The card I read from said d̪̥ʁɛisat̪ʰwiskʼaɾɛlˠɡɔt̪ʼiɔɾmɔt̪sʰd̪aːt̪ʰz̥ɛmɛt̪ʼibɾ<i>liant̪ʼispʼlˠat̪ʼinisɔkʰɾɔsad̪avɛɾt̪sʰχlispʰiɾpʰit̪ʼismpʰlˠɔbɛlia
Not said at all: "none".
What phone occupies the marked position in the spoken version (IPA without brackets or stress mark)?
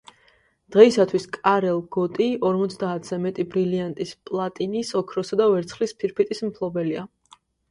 i